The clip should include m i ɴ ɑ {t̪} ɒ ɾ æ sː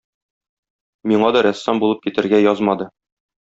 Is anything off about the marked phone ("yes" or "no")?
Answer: yes